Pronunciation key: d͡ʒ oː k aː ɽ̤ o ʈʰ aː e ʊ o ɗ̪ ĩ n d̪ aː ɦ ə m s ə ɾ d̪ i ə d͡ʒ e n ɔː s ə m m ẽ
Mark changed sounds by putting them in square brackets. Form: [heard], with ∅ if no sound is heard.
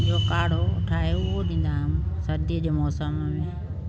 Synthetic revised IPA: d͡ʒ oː k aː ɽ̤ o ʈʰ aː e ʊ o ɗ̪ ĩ n d̪ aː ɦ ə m s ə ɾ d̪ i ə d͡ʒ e [m] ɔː s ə m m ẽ